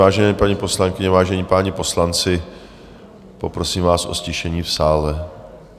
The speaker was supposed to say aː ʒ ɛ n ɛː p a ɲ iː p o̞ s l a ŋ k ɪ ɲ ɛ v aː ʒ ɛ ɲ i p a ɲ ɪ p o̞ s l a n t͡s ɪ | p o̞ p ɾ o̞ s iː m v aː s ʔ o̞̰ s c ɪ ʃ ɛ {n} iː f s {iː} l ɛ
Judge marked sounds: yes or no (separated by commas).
no, no